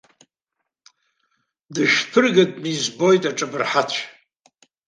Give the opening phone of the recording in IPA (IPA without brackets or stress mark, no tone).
d